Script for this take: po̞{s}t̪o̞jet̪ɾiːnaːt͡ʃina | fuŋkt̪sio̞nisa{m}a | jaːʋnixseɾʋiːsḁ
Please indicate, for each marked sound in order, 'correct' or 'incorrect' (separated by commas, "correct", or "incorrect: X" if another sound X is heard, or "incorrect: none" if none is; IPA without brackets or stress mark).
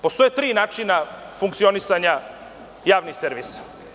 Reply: correct, incorrect: ɲ